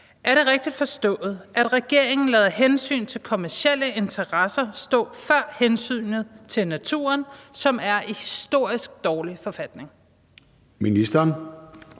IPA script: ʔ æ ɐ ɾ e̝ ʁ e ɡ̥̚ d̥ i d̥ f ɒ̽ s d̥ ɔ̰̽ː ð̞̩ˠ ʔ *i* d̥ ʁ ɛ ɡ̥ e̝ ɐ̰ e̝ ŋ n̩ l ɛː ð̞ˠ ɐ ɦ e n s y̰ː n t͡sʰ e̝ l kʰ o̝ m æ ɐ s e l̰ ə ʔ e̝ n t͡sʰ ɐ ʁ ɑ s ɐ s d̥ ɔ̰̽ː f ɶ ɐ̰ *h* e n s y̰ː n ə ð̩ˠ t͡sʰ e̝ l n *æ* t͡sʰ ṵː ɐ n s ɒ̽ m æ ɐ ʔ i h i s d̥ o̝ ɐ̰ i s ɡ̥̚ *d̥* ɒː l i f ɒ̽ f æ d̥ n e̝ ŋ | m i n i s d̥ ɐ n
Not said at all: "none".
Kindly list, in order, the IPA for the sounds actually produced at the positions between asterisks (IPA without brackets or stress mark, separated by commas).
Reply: æ, h, æ, d̥